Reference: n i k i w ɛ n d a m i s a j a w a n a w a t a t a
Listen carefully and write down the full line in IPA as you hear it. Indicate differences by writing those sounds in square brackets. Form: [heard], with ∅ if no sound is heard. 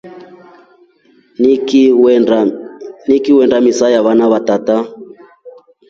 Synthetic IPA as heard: n i k i w ɛ n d a m i s a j a [β] a n a [β] a t a t a